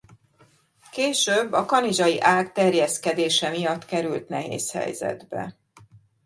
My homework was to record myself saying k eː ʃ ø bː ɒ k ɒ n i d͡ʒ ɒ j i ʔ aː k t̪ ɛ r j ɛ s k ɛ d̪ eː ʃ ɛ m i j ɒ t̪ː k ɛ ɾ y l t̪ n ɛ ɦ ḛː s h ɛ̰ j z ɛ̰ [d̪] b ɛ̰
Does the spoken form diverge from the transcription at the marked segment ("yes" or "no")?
no